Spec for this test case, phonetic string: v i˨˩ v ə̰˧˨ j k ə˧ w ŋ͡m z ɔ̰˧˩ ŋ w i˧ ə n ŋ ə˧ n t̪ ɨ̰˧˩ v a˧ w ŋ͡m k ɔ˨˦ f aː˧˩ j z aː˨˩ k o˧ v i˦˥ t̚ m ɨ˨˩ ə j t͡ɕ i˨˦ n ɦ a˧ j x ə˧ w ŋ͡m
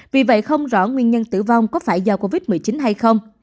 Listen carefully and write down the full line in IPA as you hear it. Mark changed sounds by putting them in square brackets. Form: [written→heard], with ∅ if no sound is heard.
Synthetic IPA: v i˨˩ v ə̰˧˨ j [k→x] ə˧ w ŋ͡m z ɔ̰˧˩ ŋ w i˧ ə n [ŋ→ɲ] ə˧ n t̪ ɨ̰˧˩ v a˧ w ŋ͡m k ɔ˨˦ f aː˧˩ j z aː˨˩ k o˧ v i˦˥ t̚ m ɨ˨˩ ə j t͡ɕ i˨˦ n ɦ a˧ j x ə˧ w ŋ͡m